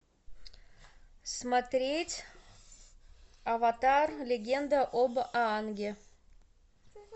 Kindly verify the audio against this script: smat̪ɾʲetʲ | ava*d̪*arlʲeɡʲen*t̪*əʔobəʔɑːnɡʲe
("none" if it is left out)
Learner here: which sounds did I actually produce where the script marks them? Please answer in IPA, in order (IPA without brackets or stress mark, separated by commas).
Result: t̪, d̪